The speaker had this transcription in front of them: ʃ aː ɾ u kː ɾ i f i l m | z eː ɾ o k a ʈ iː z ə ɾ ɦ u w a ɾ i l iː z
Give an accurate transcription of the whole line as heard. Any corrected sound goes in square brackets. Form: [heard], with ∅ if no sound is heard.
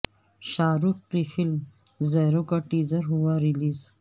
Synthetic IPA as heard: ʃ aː ɾ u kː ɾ i f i l m | z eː ɾ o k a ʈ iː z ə ɾ ɦ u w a ɾ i l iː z